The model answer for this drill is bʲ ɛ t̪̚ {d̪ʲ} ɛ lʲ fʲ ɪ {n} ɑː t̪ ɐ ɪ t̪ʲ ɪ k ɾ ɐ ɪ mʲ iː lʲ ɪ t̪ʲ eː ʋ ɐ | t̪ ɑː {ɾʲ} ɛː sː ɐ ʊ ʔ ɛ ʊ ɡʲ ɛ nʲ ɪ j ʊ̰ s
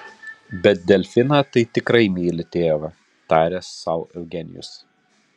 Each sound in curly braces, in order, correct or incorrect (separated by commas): correct, correct, correct